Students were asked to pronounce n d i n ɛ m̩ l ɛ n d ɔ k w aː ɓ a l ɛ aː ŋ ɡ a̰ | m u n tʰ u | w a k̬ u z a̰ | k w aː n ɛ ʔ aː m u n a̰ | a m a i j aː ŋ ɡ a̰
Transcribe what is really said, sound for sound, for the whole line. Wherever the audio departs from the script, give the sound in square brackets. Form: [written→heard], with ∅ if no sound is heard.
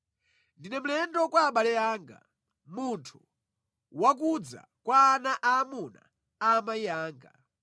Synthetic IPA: n d i n ɛ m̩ l ɛ n d ɔ k w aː ɓ a l ɛ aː ŋ ɡ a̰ | m u n tʰ u | w a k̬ u [z→d͡z] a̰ | k w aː n [ɛ→a] ʔ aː m u n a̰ | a m a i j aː ŋ ɡ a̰